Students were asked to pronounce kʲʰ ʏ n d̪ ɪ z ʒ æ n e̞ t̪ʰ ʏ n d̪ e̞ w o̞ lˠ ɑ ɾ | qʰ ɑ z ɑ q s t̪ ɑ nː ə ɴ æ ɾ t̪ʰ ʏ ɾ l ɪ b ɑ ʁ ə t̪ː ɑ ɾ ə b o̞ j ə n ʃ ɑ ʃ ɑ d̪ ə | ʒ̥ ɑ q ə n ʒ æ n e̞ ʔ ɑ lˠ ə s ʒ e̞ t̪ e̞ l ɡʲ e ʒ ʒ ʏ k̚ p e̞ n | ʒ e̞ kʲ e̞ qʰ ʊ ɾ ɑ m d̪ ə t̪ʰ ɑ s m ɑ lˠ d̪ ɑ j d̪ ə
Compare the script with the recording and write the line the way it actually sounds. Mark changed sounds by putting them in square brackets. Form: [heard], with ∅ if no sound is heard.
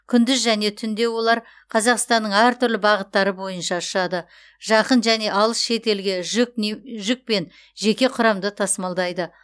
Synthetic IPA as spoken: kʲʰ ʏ n d̪ ɪ z ʒ æ n e̞ t̪ʰ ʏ n d̪ e̞ w o̞ lˠ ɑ ɾ | qʰ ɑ z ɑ q s t̪ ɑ nː ə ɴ æ ɾ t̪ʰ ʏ ɾ l ɪ b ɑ ʁ ə t̪ː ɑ ɾ ə b o̞ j ə n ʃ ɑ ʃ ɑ d̪ ə | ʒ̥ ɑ q ə n ʒ æ n e̞ ʔ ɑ lˠ ə s [ʃ] e̞ t̪ e̞ l ɡʲ e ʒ ʒ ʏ k̚ p e̞ n | ʒ e̞ kʲ e̞ qʰ ʊ ɾ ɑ m d̪ ə t̪ʰ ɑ s m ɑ lˠ d̪ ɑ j d̪ ə

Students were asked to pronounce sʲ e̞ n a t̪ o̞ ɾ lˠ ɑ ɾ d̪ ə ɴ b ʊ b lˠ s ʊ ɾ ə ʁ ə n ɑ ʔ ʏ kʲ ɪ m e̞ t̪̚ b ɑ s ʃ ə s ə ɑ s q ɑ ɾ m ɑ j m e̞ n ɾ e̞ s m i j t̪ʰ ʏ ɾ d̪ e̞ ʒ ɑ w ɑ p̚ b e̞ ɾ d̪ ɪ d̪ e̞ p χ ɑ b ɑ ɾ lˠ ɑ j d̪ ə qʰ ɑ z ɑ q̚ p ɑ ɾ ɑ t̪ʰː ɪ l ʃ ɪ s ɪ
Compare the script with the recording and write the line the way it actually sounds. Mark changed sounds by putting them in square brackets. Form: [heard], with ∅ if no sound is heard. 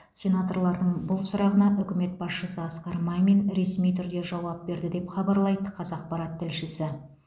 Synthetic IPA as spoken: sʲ e̞ n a t̪ o̞ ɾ lˠ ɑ ɾ d̪ ə ɴ b ʊ [∅] lˠ s ʊ ɾ [ɑ] ʁ ə n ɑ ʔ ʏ kʲ ɪ m e̞ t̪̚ b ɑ s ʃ ə s ə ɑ s q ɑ ɾ m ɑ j m e̞ n ɾ e̞ s m i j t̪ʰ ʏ ɾ d̪ e̞ ʒ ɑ w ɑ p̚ b e̞ ɾ d̪ ɪ d̪ e̞ p χ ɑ b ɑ ɾ lˠ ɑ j d̪ ə qʰ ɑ z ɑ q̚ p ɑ ɾ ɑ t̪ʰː ɪ l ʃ ɪ s ɪ

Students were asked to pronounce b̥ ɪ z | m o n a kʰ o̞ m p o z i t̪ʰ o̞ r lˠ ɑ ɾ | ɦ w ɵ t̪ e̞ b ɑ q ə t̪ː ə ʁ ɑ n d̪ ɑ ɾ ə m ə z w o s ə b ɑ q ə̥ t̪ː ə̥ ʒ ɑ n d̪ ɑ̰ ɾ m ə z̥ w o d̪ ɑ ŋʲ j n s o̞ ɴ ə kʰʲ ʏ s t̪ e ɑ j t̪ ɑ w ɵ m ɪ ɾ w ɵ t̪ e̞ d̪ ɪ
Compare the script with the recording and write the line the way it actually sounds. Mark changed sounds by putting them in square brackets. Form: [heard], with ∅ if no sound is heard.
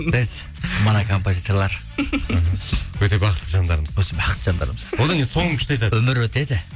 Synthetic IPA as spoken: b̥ ɪ z | m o n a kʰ o̞ m p o z i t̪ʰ o̞ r lˠ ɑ ɾ | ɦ w ɵ t̪ e̞ b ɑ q ə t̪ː ə [ʒ] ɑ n d̪ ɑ ɾ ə m ə z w o s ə b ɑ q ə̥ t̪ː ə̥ ʒ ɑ n d̪ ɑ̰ ɾ m ə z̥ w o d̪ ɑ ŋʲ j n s o̞ ɴ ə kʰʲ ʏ [ʃ] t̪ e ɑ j t̪ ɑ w ɵ m ɪ ɾ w ɵ t̪ e̞ d̪ ɪ

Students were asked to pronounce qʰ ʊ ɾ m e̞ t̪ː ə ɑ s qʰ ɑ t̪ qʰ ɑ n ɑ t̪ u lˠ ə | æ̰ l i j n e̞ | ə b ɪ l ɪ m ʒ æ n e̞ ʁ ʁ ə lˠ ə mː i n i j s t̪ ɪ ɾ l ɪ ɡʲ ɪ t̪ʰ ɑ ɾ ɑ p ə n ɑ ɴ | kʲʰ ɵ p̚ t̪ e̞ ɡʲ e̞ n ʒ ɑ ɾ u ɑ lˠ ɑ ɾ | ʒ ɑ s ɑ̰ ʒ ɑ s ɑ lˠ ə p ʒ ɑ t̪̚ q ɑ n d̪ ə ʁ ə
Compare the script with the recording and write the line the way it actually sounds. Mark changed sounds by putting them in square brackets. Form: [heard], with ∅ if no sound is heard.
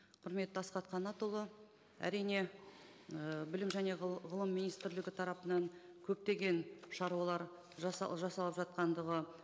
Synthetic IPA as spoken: qʰ ʊ ɾ m e̞ t̪ː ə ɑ s [q] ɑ t̪ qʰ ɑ n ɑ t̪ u lˠ ə | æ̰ [ɾ] i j n e̞ | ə b ɪ l ɪ m ʒ æ n e̞ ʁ ʁ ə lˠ ə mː i n i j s t̪ ɪ ɾ l ɪ ɡʲ ɪ t̪ʰ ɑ ɾ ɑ p ə n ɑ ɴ | kʲʰ ɵ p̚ t̪ e̞ ɡʲ e̞ n [ʃ] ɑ ɾ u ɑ lˠ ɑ ɾ | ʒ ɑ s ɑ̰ ʒ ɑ s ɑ lˠ ə p ʒ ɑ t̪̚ q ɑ n d̪ ə ʁ ə

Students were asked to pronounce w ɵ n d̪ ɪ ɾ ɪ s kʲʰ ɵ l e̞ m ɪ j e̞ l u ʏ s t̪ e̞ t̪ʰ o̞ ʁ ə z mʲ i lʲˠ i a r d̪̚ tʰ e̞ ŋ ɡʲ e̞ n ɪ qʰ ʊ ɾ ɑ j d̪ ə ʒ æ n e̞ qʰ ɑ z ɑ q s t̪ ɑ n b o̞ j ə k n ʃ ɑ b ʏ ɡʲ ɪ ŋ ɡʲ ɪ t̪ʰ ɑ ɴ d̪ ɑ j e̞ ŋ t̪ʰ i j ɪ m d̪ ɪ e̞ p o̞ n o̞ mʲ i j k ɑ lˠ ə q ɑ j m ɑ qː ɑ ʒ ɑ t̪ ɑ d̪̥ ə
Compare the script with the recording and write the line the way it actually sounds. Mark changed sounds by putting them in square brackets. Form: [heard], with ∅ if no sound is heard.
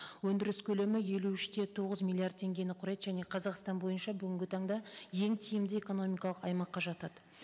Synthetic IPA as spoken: w ɵ n d̪ ɪ ɾ ɪ s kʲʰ ɵ l e̞ m ɪ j e̞ l u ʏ [ʃ] t̪ e̞ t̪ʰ o̞ ʁ ə z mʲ i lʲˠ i a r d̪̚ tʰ e̞ ŋ ɡʲ e̞ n ɪ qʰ ʊ ɾ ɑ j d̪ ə ʒ æ n e̞ qʰ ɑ z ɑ q s t̪ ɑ n b o̞ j ə [∅] n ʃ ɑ b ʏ ɡʲ ɪ ŋ ɡʲ ɪ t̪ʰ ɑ ɴ d̪ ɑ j e̞ ŋ t̪ʰ i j ɪ m d̪ ɪ e̞ [k] o̞ n o̞ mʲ i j k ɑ lˠ ə q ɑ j m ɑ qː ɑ ʒ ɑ t̪ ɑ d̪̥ ə

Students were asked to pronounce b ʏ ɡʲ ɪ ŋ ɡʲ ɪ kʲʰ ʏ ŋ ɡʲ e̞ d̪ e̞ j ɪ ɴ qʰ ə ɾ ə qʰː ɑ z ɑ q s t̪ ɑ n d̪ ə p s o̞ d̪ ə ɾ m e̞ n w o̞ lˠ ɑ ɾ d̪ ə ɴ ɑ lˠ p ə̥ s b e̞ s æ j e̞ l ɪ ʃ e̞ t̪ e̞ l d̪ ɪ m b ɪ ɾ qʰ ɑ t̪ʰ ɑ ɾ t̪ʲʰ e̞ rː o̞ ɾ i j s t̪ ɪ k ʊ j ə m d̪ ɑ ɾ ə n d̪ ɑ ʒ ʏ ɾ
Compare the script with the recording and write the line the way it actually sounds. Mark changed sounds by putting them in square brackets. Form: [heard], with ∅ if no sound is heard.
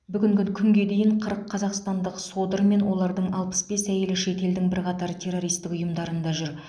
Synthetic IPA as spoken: b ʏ ɡʲ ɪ ŋ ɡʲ ɪ kʲʰ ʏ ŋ ɡʲ e̞ d̪ e̞ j ɪ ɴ qʰ ə ɾ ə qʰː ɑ z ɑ q s t̪ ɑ n d̪ ə [q] s o̞ d̪ ə ɾ m e̞ n w o̞ lˠ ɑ ɾ d̪ ə ɴ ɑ lˠ p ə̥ s b e̞ s æ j e̞ l ɪ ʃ e̞ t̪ e̞ l d̪ ɪ [ŋ] b ɪ ɾ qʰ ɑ [t̪] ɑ ɾ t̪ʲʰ e̞ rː o̞ ɾ i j s t̪ ɪ k ʊ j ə m d̪ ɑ ɾ ə n d̪ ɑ ʒ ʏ ɾ

